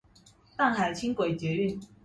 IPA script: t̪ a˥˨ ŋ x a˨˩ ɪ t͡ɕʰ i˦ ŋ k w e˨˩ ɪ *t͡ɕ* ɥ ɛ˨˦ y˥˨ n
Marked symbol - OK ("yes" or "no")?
yes